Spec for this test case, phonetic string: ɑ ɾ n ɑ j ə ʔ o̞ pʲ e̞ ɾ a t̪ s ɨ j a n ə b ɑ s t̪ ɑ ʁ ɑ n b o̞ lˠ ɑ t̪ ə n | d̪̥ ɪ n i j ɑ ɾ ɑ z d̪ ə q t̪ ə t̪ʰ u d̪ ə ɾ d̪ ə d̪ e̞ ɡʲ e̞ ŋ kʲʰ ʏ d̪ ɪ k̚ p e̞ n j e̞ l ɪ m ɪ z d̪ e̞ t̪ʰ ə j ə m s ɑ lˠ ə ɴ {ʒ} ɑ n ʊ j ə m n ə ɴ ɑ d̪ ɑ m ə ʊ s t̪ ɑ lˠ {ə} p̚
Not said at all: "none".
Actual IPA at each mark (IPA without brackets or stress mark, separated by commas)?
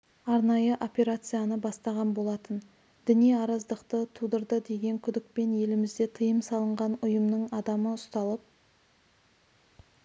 ʁ, ə